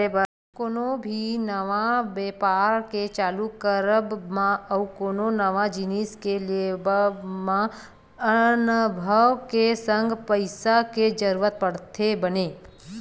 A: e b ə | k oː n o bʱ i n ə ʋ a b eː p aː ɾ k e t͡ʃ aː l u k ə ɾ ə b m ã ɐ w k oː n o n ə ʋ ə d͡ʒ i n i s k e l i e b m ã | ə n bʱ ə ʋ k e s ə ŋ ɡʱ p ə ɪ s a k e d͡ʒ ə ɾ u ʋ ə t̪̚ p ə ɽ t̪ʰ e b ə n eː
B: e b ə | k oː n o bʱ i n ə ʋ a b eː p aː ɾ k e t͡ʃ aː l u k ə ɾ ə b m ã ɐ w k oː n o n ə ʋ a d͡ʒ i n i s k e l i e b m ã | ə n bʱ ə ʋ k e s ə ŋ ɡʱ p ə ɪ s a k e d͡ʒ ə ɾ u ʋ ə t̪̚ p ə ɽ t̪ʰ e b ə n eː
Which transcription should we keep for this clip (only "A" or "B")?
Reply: B